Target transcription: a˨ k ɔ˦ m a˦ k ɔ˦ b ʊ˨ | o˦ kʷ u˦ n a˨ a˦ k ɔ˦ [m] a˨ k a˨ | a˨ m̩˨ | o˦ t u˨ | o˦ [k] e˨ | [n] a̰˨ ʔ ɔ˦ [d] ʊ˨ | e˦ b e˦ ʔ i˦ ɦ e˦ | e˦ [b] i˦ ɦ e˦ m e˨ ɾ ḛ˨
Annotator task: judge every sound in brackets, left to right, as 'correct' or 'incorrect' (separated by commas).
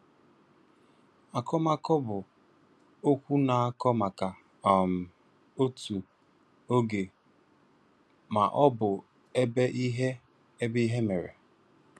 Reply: correct, incorrect, incorrect, incorrect, correct